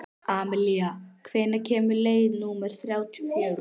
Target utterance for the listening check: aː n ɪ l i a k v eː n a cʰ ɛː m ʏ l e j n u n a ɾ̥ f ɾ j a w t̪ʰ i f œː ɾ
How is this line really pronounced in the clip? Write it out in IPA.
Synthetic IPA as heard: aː m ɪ l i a kʰ v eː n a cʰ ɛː m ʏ l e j n u m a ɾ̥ θ ɾ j a w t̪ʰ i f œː ɾ